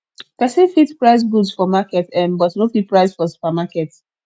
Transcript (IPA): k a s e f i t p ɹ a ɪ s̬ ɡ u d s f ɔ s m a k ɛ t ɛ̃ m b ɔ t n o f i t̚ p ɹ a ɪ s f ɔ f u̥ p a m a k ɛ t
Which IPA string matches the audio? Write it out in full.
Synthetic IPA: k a s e f i t p ɹ a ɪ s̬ ɡ u d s f ɔ m a k ɛ t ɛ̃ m b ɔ t n o f i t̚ p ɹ a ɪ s f ɔ s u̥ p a m a k ɛ t